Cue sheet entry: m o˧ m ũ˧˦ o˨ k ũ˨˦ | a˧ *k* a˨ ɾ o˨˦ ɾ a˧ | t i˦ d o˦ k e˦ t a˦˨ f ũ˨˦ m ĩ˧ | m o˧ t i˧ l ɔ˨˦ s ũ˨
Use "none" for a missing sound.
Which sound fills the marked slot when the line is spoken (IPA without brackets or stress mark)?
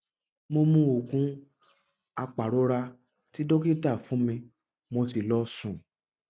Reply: k͡p